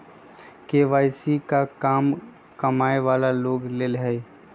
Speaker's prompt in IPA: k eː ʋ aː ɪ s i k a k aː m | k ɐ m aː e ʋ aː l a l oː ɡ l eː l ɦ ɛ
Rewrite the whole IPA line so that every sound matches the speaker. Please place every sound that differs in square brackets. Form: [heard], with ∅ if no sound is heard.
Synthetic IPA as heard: k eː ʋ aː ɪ s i k a k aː m | k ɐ m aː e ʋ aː l a l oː ɡ l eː l ɦ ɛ